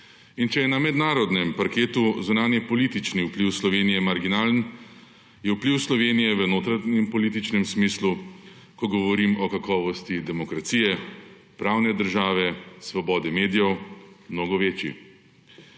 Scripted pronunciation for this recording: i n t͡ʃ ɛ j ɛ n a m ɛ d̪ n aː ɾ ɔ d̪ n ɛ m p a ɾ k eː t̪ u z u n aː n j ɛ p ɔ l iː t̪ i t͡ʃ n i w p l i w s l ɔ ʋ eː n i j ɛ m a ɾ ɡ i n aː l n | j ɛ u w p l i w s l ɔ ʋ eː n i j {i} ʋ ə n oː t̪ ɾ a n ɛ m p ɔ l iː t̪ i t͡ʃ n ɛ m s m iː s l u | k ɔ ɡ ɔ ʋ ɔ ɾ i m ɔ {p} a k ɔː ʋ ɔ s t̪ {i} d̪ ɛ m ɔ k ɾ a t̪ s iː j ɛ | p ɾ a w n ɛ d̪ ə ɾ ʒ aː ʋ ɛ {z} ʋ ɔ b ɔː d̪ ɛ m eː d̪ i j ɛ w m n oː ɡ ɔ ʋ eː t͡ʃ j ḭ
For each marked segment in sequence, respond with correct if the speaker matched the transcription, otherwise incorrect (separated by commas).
incorrect, incorrect, correct, incorrect